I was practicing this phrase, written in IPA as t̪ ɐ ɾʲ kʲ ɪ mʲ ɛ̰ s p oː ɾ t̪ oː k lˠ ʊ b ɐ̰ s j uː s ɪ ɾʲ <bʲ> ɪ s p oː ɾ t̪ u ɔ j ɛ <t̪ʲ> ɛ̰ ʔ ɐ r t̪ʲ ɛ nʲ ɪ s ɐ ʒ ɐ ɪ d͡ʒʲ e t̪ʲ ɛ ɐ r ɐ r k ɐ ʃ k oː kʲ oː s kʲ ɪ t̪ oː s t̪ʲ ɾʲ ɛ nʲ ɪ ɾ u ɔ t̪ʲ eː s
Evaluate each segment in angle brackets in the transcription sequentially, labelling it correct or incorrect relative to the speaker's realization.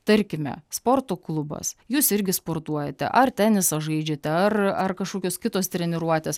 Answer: incorrect, correct

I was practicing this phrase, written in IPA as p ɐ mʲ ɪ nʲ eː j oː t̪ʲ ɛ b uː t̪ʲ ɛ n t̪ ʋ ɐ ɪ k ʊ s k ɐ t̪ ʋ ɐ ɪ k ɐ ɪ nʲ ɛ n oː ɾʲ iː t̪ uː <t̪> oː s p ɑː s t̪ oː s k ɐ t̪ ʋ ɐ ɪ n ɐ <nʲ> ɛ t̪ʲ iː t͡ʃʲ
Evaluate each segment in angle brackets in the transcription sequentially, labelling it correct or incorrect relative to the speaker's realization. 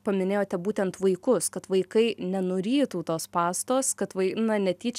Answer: correct, correct

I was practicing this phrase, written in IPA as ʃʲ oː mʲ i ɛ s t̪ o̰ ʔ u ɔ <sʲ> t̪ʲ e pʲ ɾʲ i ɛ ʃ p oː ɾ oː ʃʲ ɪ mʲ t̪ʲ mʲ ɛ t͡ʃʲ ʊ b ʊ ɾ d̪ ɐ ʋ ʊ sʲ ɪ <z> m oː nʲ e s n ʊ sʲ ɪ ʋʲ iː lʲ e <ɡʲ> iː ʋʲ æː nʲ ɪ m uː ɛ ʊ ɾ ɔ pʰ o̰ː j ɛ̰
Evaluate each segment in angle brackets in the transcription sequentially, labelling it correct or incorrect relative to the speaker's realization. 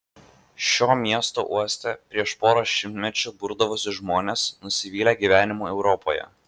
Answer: correct, incorrect, correct

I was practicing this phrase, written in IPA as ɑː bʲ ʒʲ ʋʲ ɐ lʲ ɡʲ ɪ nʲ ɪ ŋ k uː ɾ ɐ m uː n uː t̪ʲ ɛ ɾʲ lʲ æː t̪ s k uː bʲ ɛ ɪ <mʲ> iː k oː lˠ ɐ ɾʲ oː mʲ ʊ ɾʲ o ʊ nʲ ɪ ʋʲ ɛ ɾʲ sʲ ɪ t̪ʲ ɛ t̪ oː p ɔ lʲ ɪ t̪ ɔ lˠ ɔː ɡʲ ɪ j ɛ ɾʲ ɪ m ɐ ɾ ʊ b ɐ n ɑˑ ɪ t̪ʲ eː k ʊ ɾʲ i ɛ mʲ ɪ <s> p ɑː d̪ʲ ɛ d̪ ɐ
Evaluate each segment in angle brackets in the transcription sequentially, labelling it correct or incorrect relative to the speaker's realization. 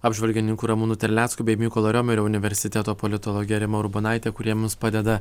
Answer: correct, correct

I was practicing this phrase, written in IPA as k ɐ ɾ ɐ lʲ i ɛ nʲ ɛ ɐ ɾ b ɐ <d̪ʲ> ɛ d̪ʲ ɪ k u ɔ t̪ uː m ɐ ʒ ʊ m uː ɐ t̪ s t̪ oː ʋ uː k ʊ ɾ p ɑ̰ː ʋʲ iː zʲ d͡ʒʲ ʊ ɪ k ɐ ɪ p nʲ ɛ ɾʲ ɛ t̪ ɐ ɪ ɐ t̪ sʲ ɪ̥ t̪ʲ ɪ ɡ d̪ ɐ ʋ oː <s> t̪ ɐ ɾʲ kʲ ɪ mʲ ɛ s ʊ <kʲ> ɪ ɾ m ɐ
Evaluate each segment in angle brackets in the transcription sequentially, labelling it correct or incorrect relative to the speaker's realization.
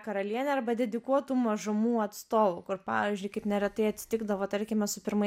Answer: correct, incorrect, incorrect

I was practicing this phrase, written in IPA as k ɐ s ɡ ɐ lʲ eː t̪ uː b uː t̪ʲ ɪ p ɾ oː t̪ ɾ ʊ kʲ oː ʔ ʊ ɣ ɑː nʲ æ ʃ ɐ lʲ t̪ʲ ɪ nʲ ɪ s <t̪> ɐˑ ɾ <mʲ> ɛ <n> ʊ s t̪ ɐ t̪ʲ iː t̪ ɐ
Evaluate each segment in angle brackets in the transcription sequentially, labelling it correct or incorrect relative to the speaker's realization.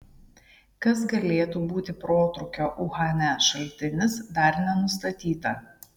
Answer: incorrect, incorrect, correct

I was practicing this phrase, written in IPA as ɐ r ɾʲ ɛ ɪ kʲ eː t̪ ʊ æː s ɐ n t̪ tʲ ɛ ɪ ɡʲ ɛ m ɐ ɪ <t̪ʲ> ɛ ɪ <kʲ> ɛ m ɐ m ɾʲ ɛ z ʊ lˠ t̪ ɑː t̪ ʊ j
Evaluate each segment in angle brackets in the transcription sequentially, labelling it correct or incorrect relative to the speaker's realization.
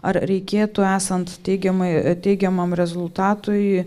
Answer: correct, incorrect

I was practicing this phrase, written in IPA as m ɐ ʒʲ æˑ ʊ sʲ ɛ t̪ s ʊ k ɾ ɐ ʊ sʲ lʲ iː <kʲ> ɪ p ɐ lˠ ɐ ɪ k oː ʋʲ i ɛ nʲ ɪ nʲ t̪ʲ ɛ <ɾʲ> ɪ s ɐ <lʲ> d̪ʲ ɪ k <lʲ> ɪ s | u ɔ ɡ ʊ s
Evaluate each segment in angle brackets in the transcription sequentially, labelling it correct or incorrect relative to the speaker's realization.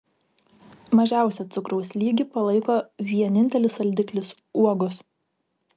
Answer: incorrect, incorrect, correct, correct

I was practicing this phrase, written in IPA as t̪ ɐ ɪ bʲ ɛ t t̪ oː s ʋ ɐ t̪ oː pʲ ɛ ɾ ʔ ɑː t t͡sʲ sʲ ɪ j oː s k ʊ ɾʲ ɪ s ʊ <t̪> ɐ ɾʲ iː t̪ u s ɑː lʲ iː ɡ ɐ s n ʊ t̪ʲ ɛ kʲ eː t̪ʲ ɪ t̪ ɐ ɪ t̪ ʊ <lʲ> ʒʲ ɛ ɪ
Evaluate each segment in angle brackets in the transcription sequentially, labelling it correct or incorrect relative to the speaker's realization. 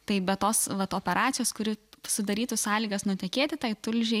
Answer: incorrect, correct

